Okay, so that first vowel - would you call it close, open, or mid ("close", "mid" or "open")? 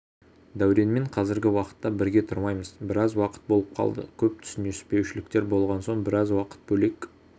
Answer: open